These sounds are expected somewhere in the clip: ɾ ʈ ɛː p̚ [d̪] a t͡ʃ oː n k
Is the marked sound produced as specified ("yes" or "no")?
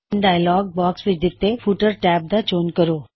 yes